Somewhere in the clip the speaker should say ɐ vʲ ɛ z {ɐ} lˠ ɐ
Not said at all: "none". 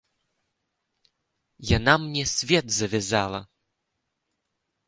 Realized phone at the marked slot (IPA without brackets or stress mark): a